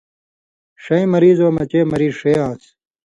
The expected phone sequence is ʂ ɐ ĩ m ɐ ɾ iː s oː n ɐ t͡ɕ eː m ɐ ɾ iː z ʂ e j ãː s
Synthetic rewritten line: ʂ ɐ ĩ m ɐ ɾ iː z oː m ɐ t͡ɕ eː m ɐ ɾ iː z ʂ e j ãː s